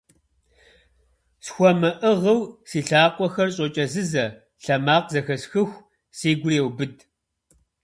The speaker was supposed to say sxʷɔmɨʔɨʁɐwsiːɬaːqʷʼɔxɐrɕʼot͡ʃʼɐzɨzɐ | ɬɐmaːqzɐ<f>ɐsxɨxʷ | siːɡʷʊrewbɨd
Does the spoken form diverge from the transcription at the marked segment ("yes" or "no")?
yes